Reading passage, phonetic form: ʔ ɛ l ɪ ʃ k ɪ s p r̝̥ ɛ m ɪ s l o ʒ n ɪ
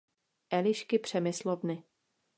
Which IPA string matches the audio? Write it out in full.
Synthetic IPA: ʔ ɛ l ɪ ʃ k ɪ p r̝̥ ɛ m ɪ s l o v n ɪ

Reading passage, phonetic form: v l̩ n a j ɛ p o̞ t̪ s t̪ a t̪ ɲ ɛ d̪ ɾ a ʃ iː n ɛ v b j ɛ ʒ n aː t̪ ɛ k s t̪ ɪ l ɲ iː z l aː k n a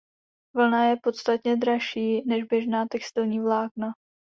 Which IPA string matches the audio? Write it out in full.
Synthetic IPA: v l̩ n a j ɛ p o̞ t̪ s t̪ a t̪ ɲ ɛ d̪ ɾ a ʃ iː n ɛ ʒ b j ɛ ʒ n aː t̪ ɛ k s t̪ ɪ l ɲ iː v l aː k n a

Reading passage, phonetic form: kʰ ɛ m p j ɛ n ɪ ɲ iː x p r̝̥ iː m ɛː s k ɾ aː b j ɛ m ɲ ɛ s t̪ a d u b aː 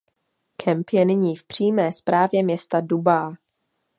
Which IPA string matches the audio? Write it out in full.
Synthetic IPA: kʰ ɛ m p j ɛ n ɪ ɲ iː f p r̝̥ iː m ɛː s p ɾ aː v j ɛ m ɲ ɛ s t̪ a d u b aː

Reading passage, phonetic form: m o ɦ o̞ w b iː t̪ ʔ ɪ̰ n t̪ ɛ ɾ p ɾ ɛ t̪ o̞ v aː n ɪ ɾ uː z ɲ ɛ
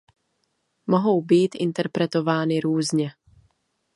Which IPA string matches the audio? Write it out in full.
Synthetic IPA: m o ɦ o̞ w b iː t̪ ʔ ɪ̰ n t̪ ɛ ɾ p ɾ ɛ t̪ o̞ v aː n ɪ ɾ uː z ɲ ɛ

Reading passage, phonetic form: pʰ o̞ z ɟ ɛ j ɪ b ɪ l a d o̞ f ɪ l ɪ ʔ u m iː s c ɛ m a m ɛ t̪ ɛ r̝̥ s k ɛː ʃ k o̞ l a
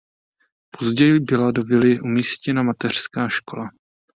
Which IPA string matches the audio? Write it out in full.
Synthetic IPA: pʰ o̞ z ɟ ɛ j ɪ b ɪ l a d o̞ v ɪ l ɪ ʔ u m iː s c ɛ n a m a t̪ ɛ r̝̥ s k aː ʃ k o̞ l a

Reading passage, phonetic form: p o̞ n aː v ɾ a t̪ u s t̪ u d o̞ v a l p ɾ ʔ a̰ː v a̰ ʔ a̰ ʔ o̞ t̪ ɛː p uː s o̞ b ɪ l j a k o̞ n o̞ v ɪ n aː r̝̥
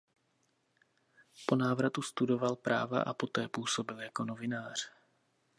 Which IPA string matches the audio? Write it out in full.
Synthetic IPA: p o̞ n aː v ɾ a t̪ u s t̪ u d o̞ v a l p ɾ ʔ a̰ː v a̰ ʔ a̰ p o̞ t̪ ɛː p uː s o̞ b ɪ l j a k o̞ n o̞ v ɪ n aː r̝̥

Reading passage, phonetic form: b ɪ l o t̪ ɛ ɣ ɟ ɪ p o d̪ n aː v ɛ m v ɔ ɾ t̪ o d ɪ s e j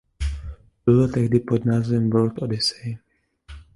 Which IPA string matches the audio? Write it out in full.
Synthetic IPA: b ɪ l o t̪ ɛ ɣ d ɪ p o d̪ n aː z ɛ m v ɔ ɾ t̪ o d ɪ s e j

